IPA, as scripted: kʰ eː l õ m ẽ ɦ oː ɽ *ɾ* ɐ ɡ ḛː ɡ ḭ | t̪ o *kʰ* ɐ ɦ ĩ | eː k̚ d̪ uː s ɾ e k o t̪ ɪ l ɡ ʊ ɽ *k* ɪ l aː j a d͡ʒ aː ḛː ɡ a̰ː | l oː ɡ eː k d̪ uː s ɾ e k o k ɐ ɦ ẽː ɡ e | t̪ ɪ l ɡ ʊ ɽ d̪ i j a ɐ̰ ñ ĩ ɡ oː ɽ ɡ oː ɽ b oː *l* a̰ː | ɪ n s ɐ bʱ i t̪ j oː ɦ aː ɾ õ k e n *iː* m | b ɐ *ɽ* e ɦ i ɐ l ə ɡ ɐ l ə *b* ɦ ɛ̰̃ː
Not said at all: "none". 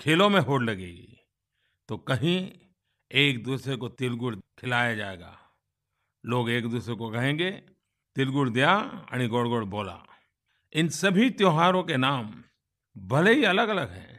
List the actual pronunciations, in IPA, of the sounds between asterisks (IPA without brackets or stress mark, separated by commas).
l, k, kʰ, l, aː, l, ɡ